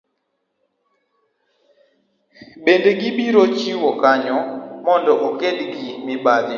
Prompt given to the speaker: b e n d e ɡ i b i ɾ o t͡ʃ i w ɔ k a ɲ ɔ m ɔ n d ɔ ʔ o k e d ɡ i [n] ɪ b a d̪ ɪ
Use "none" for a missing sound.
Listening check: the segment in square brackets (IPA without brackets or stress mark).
m